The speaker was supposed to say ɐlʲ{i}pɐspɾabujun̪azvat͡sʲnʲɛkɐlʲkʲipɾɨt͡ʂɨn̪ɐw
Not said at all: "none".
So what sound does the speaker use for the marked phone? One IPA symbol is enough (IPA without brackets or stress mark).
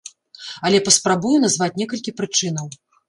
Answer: ɛ